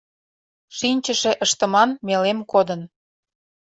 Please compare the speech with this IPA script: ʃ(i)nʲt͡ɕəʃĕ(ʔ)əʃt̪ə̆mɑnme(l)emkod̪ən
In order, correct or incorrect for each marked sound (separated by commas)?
correct, correct, correct